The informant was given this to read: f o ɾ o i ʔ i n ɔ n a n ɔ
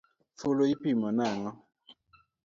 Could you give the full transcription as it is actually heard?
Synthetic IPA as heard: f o l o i p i m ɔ n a ŋ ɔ